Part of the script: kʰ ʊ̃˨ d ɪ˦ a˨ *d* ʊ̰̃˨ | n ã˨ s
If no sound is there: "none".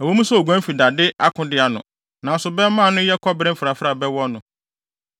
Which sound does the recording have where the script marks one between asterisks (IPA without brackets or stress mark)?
n